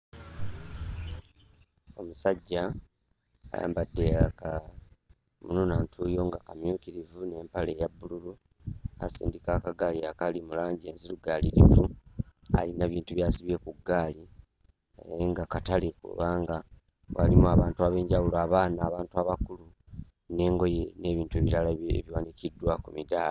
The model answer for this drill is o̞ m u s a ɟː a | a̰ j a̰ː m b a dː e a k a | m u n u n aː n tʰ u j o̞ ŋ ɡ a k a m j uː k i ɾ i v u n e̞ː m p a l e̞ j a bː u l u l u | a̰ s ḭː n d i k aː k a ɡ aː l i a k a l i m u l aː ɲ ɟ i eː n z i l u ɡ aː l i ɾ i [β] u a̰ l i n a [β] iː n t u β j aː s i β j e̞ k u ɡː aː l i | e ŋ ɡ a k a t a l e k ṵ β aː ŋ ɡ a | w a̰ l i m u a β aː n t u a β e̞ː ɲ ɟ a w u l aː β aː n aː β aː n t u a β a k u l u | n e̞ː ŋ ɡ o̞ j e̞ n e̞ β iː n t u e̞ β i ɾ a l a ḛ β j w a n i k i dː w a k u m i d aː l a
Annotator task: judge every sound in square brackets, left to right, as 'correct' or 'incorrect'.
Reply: incorrect: v, correct

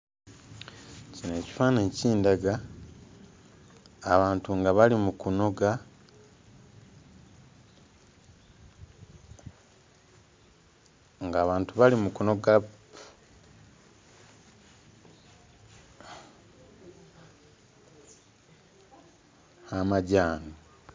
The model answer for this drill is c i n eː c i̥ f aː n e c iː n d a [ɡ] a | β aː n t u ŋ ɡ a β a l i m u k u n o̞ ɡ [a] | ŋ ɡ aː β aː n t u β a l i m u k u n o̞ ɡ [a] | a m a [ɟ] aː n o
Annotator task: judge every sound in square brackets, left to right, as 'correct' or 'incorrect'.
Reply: correct, correct, correct, correct

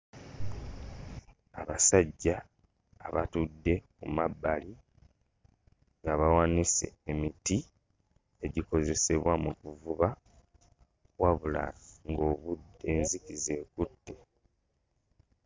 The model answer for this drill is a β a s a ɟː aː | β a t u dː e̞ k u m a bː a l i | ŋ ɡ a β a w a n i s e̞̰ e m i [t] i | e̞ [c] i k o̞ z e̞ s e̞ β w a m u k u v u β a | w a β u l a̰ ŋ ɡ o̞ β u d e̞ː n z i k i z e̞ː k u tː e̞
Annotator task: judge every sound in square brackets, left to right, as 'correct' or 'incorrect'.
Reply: correct, incorrect: ɟ

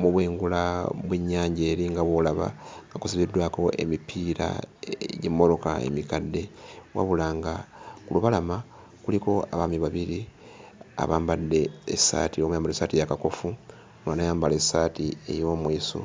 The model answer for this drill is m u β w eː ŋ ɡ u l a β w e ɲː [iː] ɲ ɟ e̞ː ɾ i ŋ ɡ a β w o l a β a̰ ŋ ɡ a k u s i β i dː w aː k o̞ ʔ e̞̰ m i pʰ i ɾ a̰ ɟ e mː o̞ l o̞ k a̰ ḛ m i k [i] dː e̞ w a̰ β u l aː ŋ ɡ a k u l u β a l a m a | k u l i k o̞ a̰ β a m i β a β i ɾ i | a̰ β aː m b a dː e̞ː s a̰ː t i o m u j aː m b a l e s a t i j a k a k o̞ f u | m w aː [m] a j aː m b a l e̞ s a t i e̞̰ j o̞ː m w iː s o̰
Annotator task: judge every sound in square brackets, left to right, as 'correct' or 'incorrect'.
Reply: incorrect: aː, incorrect: a, incorrect: n

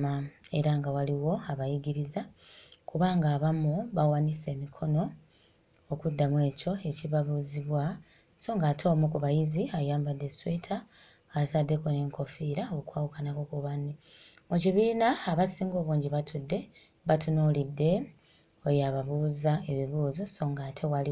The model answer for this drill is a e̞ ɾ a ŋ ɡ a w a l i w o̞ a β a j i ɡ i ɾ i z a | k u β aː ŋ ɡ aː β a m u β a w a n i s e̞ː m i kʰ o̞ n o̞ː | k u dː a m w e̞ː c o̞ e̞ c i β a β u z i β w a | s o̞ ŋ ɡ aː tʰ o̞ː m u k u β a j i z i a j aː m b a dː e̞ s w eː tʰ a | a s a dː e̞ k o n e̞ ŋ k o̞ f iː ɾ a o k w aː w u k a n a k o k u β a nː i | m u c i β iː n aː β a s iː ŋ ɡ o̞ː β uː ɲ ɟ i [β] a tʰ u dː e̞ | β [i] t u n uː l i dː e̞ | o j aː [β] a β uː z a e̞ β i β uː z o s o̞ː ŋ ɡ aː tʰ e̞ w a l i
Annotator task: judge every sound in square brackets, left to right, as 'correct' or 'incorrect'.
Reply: correct, incorrect: a, correct

